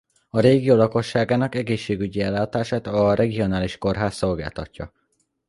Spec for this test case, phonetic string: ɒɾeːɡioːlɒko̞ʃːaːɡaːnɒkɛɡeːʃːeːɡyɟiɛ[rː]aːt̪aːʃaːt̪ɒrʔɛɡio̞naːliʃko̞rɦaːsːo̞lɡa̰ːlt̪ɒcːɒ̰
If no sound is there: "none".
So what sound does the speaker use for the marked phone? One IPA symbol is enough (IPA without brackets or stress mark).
lː